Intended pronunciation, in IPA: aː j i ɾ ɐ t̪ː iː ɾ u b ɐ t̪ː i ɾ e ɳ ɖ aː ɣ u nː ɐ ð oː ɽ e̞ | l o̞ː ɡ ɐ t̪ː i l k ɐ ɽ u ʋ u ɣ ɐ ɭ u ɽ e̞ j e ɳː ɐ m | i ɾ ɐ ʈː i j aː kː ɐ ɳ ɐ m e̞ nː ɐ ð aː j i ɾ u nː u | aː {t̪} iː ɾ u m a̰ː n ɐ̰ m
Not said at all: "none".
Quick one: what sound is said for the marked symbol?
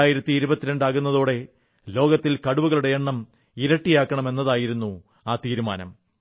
t̪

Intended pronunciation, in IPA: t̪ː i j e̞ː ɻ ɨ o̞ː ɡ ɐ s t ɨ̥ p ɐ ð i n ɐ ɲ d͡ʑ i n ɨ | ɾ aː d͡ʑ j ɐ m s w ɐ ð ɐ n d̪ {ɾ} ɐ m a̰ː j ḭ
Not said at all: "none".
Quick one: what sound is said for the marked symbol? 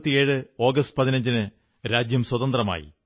r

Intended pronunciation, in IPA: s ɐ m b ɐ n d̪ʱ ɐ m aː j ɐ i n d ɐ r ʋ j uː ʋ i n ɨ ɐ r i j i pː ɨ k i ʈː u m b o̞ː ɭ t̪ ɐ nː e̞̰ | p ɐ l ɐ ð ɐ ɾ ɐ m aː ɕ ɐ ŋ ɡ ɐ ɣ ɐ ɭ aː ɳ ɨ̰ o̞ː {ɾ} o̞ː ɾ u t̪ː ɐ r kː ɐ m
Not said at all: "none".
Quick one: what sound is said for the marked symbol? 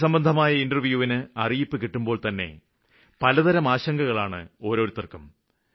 ɾ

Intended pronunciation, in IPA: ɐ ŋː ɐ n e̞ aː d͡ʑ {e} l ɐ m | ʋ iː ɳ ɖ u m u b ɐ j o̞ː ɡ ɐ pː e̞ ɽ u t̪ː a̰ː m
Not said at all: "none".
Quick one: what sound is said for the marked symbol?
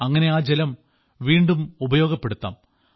e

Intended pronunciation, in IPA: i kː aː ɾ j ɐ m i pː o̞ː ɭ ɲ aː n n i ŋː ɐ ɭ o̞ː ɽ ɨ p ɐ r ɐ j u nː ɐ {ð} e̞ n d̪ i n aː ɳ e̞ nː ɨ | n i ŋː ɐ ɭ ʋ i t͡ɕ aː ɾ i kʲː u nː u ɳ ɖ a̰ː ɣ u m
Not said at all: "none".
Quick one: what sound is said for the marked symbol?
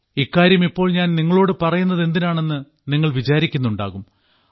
ð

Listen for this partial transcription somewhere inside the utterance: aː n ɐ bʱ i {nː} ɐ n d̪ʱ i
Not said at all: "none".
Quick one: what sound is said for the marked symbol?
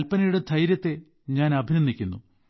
n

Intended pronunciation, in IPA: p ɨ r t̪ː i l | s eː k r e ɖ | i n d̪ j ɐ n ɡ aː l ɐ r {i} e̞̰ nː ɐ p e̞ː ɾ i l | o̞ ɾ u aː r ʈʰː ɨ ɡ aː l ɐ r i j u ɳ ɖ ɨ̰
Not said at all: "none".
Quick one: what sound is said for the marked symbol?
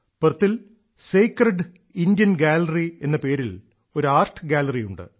i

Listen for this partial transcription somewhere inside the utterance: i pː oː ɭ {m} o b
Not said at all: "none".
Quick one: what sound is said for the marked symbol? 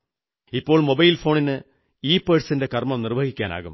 m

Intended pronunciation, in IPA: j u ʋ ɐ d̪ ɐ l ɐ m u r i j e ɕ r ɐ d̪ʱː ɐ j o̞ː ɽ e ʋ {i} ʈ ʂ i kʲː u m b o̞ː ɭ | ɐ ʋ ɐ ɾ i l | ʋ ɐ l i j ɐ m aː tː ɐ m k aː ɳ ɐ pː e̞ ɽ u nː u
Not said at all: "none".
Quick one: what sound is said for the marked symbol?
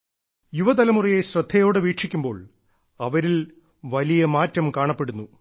iː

